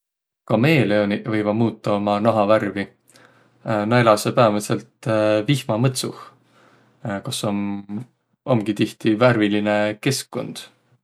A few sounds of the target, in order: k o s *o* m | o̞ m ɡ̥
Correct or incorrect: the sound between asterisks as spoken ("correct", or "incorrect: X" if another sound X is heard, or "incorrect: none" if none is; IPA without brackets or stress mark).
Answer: correct